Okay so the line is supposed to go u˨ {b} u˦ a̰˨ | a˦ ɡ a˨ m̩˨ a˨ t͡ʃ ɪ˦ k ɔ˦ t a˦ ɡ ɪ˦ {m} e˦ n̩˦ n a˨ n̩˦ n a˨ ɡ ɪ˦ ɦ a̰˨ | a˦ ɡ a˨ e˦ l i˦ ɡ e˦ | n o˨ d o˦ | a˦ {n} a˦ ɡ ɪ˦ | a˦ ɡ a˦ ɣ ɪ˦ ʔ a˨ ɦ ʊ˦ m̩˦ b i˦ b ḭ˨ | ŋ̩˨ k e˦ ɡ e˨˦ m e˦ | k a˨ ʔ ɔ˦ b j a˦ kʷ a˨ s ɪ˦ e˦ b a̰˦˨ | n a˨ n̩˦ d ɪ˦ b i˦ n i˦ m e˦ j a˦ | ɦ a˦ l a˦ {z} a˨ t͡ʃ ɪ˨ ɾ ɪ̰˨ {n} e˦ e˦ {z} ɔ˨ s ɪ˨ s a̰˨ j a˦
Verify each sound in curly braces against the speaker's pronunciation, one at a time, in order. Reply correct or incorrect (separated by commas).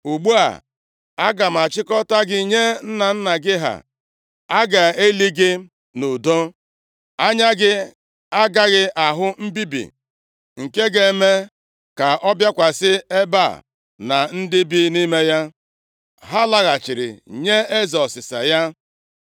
incorrect, incorrect, incorrect, incorrect, incorrect, correct